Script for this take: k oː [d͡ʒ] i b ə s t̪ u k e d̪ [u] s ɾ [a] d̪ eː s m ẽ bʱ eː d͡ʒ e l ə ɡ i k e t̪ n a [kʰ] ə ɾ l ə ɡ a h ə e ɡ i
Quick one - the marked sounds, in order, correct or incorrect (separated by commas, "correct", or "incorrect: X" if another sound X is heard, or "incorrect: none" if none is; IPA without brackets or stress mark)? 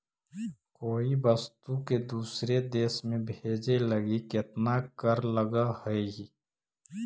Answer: incorrect: none, incorrect: uː, incorrect: e, incorrect: k